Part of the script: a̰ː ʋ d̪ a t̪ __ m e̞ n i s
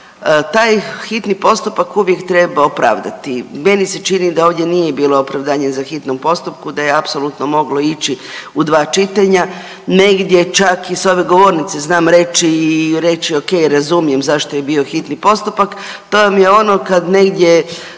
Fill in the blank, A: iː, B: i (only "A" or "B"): B